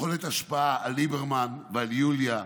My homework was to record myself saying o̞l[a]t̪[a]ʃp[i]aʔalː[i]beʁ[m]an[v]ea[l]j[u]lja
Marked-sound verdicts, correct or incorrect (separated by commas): incorrect, correct, incorrect, correct, correct, correct, correct, correct